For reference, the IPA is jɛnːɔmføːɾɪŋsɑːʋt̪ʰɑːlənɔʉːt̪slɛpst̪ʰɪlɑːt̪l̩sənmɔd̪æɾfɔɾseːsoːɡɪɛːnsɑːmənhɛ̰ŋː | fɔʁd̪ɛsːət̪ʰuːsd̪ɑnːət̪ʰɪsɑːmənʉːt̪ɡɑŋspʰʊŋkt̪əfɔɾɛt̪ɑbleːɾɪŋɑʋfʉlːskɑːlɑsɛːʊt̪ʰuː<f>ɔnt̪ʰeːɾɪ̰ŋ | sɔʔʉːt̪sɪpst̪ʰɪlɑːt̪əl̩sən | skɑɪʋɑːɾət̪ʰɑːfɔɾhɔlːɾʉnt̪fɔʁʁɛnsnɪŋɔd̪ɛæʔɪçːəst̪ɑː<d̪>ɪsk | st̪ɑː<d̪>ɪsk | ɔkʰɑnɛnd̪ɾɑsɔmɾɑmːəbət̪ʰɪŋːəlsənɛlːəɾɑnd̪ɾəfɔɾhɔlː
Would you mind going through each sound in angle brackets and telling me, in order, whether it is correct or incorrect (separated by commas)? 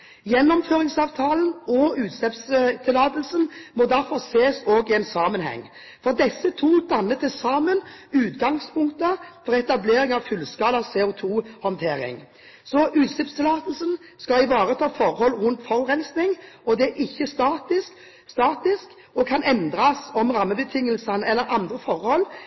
incorrect, incorrect, incorrect